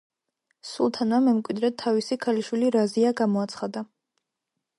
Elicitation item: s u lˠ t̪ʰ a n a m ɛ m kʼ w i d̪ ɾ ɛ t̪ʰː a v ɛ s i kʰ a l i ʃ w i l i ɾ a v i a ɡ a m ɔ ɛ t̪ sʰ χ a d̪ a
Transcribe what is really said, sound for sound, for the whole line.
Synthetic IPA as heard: s u lˠ t̪ʰ a n a m ɛ m kʼ w i d̪ ɾ ɛ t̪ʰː a v i s i kʰ a l i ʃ w i l i ɾ a z i a ɡ a m ɔ a t̪ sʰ χ a d̪ a